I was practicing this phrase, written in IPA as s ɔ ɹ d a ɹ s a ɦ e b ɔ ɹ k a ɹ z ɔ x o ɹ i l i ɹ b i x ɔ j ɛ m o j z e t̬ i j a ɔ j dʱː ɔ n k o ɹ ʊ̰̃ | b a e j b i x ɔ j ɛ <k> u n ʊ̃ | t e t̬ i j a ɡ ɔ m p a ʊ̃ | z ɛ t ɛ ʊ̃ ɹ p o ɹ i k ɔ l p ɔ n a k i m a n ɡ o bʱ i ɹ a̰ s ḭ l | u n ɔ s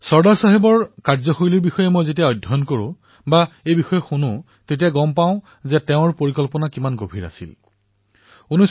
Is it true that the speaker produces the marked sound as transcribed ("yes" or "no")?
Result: no